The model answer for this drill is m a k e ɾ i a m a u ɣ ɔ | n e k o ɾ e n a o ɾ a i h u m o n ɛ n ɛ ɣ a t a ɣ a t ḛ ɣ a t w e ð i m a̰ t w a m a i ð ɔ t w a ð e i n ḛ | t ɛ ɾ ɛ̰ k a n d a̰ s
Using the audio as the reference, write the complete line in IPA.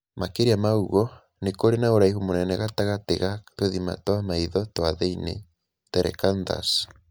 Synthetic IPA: m a k e ɾ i a m a u ɣ ɔ | n e k o ɾ e n a o ɾ a i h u m o n ɛ n ɛ ɣ a t a ɣ a t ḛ ɣ a t w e ð i m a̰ t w a m a i ð ɔ t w a ð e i n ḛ | t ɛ ɾ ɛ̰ k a n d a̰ s

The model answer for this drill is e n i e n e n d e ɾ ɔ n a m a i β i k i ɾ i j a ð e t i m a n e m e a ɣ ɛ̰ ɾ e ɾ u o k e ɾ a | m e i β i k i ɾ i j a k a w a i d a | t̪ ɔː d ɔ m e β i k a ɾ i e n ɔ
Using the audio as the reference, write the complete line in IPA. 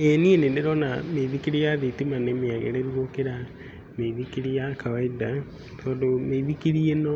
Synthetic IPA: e n i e n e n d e ɾ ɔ n a m e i β i k i ɾ i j a ð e t i m a n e m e a ɣ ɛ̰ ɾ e ɾ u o k e ɾ a | m e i β i k i ɾ i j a k a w a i d a | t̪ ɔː d o m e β i k i ɾ i e n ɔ

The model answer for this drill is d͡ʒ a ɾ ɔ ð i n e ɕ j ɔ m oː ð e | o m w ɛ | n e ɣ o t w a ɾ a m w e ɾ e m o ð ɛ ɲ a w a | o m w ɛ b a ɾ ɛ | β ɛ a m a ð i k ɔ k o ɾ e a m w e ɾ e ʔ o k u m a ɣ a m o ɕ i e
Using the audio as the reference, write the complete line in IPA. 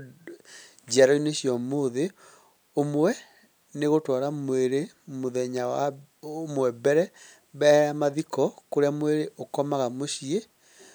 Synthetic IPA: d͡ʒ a ɾ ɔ i n e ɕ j ɔ m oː ð e | o m w ɛ | n e ɣ o t w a ɾ a m w e ɾ e m o ð ɛ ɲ a w a | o m w ɛ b ɛ ɾ ɛ | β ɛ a m a ð i k ɔ k o ɾ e a m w e ɾ e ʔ o k ɔ m a ɣ a m o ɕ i e

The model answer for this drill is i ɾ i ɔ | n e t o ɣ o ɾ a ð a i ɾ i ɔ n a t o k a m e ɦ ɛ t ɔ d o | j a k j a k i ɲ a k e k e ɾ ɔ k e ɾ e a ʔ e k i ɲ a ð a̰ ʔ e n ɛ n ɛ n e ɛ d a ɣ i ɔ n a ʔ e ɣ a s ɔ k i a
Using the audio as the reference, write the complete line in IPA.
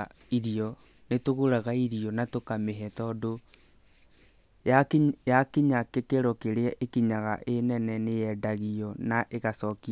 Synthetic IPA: i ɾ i ɔ | n e t o ɣ o ɾ a ɣ a i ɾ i ɔ n a t o k a m e ɦ ɛ t ɔ d o | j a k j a k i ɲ a k e k e ɾ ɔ k e ɾ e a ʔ e k i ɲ a ɣ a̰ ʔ e n ɛ n ɛ n e ɛ d a ɣ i ɔ n a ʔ e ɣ a s ɔ k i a

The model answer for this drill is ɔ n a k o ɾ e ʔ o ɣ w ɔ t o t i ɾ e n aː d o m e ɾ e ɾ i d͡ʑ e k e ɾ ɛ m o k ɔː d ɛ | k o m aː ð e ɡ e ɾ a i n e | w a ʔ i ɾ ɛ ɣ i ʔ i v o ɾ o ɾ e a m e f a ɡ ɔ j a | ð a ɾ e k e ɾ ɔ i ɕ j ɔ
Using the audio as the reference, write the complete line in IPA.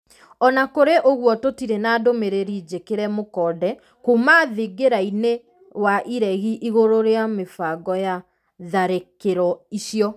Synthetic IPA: ɔ n a k o ɾ e ʔ o ɣ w ɔ t o t i ɾ e n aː d o m e ɾ e ɾ i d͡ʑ e k e ɾ ɛ m o k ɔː d ɛ | k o m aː ð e ɡ e ɾ a i n e | w a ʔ i ɾ ɛ ɣ i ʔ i ɣ o ɾ o ɾ e a m e f a ɡ ɔ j a | ð a ɾ e k e ɾ ɔ i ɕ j ɔ

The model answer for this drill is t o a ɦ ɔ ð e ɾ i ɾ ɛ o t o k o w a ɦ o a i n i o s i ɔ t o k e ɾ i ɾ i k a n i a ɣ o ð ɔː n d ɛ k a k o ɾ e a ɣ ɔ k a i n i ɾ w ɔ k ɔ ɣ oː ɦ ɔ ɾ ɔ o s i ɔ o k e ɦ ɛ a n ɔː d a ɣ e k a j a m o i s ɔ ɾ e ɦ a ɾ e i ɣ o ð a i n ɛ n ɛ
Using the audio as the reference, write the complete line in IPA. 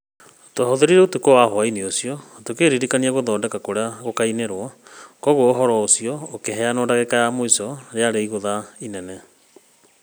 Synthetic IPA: t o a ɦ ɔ ð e ɾ i ɾ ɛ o t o k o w a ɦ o a i n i o s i ɔ t o k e ɾ i ɾ i k a n i a ɣ o ð ɔː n d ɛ k a k o ɾ e a ɣ o k a i n e ɾ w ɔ k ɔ ɣ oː ɦ ɔ ɾ ɔ o s i ɔ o k e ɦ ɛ a n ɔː d a ɣ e k a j a m o i s ɔ ɾ e a ɾ e i ɣ o ð a i n ɛ n ɛ

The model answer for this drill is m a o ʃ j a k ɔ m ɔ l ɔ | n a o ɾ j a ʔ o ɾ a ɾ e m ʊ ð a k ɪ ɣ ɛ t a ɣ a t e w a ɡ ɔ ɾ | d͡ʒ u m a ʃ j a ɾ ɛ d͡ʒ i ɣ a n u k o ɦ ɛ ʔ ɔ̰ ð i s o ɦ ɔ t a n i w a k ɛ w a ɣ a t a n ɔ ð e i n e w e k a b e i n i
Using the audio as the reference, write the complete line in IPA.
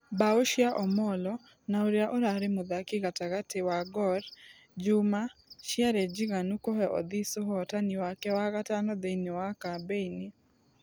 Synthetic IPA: b a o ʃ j a ʔ ɔ m ɔ l ɔ | n a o ɾ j a ʔ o ɾ a ɾ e m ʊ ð a k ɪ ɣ a t a ɣ a t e w a ɡ ɔ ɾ | d͡ʒ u m a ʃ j a ɾ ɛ d͡ʒ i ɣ a n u k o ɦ ɛ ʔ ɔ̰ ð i s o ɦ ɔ t a n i w a k ɛ w a ɣ a t a n ɔ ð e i n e w a k a b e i n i

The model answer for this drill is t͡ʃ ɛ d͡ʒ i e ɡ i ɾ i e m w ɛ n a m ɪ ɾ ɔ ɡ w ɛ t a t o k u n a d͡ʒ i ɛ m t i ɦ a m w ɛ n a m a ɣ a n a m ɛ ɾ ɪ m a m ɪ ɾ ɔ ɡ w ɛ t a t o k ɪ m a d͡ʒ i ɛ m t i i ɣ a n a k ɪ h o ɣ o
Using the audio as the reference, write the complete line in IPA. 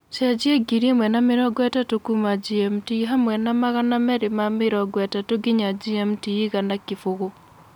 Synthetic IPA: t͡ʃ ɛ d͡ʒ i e ɡ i ɾ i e m w ɛ n a m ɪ ɾ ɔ ɡ w ɛ t a t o k u m a d͡ʒ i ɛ m t i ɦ a m w ɛ n a m a ɣ a n a m ɛ ɾ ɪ m a m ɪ ɾ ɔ ɡ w ɛ t a t o ɡ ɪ ɲ a d͡ʒ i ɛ m t i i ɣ a n a k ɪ f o ɣ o

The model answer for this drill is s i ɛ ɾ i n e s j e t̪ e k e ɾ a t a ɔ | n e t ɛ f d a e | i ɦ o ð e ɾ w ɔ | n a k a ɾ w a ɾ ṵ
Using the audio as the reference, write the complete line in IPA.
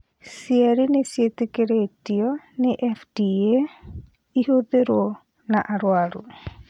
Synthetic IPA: s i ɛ ɾ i n e s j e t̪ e k e ɾ e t i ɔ | n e ʔ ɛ f d i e | i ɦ o ð e ɾ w ɔ | n a ʔ a ɾ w a ɾ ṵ

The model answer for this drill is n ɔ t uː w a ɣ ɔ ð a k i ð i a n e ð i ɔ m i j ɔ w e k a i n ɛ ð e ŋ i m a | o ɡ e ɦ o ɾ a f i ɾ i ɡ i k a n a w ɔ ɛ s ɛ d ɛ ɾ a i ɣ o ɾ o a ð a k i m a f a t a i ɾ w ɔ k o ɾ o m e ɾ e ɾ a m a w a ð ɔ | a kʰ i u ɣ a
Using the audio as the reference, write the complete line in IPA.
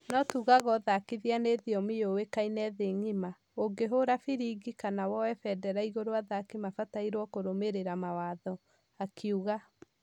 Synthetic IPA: n ɔ t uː ɣ a ɣ ɔ ð a k i ð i a n e ð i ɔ m i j o w e k a i n ɛ ð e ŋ i m a | o ɡ e ɦ o ɾ a f i ɾ i ɡ i k a n a w ɔ ɛ f ɛ d ɛ ɾ a i ɣ o ɾ o a ð a k i m a f a t a i ɾ w ɔ k o ɾ o m e ɾ e ɾ a m a w a ð ɔ | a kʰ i u ɣ a

